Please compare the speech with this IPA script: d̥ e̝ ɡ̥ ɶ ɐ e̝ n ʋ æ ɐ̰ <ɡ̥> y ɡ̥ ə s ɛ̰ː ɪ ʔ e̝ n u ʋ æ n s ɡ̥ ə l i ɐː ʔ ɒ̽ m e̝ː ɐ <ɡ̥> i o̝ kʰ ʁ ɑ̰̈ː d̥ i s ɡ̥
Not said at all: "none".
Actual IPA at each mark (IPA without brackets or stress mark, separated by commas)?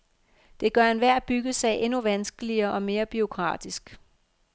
b̥, b̥